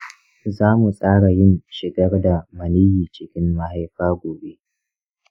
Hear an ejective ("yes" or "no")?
yes